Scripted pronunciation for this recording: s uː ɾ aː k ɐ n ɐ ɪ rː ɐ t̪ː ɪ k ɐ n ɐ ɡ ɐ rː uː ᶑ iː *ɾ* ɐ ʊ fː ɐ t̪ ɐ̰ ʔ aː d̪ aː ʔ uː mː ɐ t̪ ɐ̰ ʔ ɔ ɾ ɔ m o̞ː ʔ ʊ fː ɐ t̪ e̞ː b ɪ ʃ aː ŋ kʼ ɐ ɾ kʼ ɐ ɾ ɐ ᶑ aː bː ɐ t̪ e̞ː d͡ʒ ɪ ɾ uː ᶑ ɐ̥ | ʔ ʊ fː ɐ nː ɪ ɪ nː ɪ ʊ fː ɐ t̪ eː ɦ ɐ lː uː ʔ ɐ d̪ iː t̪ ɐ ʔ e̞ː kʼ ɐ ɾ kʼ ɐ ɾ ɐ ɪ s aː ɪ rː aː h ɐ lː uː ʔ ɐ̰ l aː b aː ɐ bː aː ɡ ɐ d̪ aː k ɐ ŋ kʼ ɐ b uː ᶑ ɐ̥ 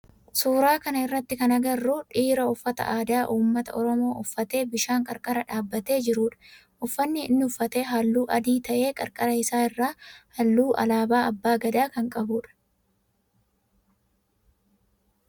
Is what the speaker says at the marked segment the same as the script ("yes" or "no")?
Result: yes